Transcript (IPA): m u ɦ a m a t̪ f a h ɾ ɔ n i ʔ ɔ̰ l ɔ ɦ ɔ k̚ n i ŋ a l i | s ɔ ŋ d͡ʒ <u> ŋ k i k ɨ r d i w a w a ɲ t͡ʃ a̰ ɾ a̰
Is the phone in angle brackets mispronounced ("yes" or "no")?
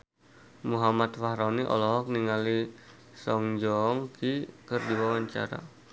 yes